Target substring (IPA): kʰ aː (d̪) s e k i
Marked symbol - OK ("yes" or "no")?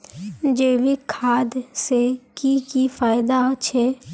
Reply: yes